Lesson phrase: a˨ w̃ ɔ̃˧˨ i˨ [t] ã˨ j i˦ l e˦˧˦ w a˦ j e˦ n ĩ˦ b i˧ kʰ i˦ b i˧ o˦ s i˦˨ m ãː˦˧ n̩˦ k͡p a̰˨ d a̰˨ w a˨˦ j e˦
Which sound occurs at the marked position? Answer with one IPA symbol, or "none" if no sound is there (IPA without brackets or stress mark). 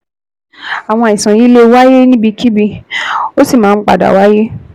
s